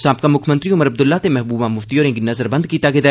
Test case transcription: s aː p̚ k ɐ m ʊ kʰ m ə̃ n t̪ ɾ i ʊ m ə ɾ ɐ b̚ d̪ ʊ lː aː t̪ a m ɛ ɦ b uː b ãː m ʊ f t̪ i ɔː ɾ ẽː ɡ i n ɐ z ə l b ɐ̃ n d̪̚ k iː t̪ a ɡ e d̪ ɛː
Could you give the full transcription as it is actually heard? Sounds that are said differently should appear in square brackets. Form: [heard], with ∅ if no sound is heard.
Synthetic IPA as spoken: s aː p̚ k [a] m ʊ kʰ m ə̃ n t̪ ɾ i ʊ m ə ɾ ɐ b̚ d̪ ʊ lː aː t̪ [e] m ɛ ɦ b uː b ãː m ʊ f t̪ i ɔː ɾ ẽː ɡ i n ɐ z ə [ɾ] b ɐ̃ n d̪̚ k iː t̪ a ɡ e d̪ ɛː